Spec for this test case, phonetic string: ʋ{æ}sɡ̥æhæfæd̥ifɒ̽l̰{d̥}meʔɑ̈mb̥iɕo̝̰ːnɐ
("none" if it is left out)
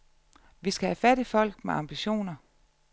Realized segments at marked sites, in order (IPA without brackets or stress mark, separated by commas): i, ɡ̥